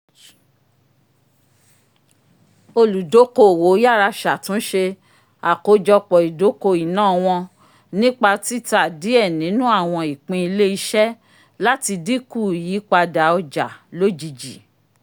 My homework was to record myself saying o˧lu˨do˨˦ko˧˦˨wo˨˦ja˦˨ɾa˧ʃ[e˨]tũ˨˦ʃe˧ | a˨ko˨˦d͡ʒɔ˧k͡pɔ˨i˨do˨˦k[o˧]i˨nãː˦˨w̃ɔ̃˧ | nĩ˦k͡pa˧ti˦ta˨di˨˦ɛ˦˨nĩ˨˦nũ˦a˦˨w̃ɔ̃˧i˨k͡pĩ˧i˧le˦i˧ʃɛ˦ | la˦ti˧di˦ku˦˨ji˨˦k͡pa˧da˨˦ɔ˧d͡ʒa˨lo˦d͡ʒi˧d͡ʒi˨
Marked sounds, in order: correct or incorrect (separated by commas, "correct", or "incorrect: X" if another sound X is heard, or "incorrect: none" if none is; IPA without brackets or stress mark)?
incorrect: a˨, correct